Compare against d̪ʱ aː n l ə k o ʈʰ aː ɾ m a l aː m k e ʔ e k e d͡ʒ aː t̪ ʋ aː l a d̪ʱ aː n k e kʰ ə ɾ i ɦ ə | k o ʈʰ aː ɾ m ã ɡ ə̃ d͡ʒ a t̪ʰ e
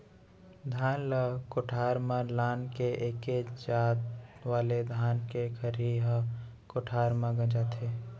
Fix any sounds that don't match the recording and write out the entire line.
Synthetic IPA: d̪ʱ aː n l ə k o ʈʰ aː ɾ m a l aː n k e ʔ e k e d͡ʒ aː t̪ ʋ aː l e d̪ʱ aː n k e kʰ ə ɾ i ɦ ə | k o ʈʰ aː ɾ m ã ɡ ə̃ d͡ʒ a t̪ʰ e